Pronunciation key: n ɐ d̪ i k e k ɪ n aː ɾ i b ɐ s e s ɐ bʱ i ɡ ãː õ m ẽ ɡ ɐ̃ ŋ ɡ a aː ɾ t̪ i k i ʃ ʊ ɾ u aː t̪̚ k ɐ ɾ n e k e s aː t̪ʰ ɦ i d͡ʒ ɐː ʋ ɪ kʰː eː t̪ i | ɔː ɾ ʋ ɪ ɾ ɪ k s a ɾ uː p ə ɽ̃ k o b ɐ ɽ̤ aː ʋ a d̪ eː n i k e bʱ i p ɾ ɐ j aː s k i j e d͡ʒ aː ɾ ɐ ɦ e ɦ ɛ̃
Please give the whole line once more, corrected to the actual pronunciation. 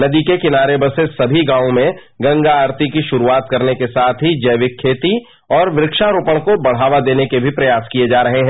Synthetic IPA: n ɐ d̪ i k e k ɪ n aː ɾ e b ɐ s e s ɐ bʱ i ɡ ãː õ m ẽ ɡ ɐ̃ ŋ ɡ a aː ɾ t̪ i k i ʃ ʊ ɾ u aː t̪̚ k ɐ ɾ n e k e s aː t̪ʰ ɦ i d͡ʒ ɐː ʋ ɪ kʰː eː t̪ i | ɔː ɾ ʋ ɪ ɾ ɪ k ʃ a ɾ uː p ə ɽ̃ k o b ɐ ɽ̤ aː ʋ a d̪ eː n e k e bʱ i p ɾ ɐ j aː s k i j e d͡ʒ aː ɾ ɐ ɦ e ɦ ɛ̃

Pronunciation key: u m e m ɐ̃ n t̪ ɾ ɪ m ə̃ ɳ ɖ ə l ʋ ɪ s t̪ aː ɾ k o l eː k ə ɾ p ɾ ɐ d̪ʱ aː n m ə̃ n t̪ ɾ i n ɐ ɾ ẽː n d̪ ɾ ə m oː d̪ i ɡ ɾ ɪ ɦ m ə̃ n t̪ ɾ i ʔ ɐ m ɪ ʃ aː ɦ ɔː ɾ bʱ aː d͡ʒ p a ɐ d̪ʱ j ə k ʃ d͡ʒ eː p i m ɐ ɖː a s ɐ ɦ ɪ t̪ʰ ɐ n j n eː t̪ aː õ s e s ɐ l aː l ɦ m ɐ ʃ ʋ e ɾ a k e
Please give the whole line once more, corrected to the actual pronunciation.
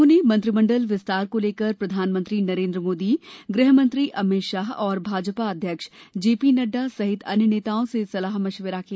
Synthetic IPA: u n e m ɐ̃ n t̪ ɾ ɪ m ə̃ ɳ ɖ ə l ʋ ɪ s t̪ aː ɾ k o l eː k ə ɾ p ɾ ɐ d̪ʱ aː n m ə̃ n t̪ ɾ i n ɐ ɾ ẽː n d̪ ɾ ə m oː d̪ i ɡ ɾ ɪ ɦ m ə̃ n t̪ ɾ i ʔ ɐ m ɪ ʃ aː ɦ ɔː ɾ bʱ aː d͡ʒ p a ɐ d̪ʱ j ə k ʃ d͡ʒ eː p i n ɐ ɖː a s ɐ ɦ ɪ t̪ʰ ɐ n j n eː t̪ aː õ s e s ɐ l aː ɦ m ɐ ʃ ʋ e ɾ a k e

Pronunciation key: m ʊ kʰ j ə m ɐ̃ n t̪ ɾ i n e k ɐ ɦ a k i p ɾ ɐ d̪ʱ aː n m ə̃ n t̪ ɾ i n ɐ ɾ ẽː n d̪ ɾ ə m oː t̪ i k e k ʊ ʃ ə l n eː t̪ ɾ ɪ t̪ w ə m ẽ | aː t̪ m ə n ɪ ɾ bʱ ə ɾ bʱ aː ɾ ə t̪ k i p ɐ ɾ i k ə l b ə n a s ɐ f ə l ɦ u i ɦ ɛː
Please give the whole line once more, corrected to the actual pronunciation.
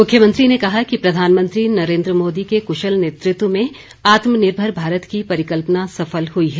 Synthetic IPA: m ʊ kʰ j ə m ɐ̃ n t̪ ɾ i n e k ɐ ɦ a k i p ɾ ɐ d̪ʱ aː n m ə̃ n t̪ ɾ i n ɐ ɾ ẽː n d̪ ɾ ə m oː d̪ i k e k ʊ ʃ ə l n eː t̪ ɾ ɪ t̪ w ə m ẽ | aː t̪ m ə n ɪ ɾ bʱ ə ɾ bʱ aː ɾ ə t̪ k i p ɐ ɾ ɪ k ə l p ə n a s ɐ f ə l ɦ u i ɦ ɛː

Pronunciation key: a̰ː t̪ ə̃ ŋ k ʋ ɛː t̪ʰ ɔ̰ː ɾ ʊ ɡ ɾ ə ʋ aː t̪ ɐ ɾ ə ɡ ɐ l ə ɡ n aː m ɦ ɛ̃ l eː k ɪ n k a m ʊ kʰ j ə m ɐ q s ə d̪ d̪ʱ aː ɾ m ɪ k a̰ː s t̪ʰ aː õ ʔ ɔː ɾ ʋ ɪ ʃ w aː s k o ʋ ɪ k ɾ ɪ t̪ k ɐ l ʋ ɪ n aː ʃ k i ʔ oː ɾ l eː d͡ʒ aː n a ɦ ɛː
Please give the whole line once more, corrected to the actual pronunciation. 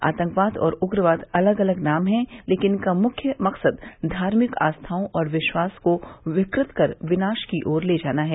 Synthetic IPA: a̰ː t̪ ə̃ ŋ k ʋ aː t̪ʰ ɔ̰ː ɾ ʊ ɡ ɾ ə ʋ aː t̪ ɐ l ə ɡ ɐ l ə ɡ n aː m ɦ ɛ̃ l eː k ɪ n k a m ʊ kʰ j ə m ɐ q s ə d̪ d̪ʱ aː ɾ m ɪ k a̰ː s t̪ʰ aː õ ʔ ɔː ɾ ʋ ɪ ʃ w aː s k o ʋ ɪ k ɾ ɪ t̪ k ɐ ɾ ʋ ɪ n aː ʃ k i ʔ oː ɾ l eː d͡ʒ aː n a ɦ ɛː

